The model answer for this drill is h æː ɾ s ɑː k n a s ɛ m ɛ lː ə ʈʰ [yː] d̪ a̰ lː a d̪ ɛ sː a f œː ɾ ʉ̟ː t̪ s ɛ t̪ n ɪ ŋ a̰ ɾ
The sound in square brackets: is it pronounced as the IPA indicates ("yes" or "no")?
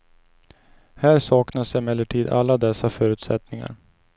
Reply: no